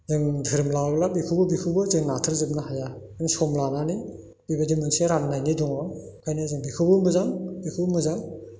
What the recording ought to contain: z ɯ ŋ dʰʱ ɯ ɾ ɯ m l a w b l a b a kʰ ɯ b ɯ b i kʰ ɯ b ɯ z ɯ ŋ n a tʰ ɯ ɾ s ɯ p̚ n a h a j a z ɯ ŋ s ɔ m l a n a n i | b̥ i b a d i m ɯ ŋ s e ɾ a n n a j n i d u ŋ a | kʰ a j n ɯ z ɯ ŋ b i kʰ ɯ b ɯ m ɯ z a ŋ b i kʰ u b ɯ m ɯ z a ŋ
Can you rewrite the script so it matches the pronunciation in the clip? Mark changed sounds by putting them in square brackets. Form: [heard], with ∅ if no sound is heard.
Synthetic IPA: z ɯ ŋ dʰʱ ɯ ɾ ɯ m l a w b l a b [i] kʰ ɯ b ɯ b i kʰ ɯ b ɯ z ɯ ŋ n a tʰ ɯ ɾ [z] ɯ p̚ n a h a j a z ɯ ŋ s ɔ m l a n a n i | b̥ i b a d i m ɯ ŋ s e ɾ a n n a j n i d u ŋ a | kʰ a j n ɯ z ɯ ŋ b i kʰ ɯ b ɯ m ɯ z a ŋ b i kʰ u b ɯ m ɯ z a ŋ